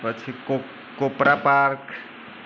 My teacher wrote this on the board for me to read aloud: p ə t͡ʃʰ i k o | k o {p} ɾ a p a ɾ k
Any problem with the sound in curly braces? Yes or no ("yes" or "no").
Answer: no